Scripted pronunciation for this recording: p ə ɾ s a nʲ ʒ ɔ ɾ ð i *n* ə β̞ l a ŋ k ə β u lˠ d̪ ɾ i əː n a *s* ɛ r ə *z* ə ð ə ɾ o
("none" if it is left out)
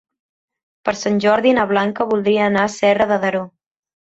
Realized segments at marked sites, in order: n, s, ð

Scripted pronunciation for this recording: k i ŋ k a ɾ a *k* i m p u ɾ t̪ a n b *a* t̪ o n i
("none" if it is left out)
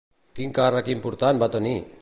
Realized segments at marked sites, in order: k, a

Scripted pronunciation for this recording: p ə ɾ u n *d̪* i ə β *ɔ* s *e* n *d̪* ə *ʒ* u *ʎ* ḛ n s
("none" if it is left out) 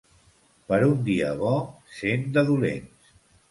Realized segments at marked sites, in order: d̪, ɔ, e, d̪, ð, l

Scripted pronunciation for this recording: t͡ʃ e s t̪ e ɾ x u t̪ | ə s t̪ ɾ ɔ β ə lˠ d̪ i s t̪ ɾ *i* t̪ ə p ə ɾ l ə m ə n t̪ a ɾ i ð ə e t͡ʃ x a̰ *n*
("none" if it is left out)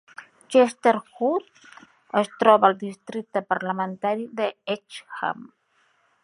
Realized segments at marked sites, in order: i, m

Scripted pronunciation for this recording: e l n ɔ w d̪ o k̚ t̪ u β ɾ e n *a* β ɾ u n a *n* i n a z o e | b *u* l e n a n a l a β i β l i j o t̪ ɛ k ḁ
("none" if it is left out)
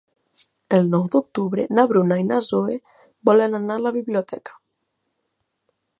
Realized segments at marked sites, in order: a, none, ɔ

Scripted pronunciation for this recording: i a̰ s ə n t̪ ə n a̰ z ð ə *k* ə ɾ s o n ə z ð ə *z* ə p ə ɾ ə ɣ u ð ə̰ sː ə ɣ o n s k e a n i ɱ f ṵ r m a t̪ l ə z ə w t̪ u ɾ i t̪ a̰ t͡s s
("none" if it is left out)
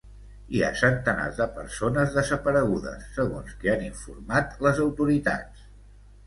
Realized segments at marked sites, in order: p, z

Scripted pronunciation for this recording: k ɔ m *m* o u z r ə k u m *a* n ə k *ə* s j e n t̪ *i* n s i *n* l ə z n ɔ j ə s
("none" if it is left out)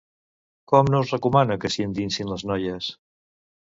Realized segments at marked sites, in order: n, a, ə, i, n

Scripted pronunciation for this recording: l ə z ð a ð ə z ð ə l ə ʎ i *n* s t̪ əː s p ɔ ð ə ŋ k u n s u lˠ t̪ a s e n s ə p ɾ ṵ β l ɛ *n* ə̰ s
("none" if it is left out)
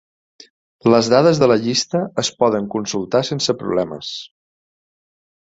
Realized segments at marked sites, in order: none, m

